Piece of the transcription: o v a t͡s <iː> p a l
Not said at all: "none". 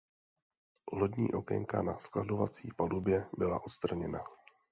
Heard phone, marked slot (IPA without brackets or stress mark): iː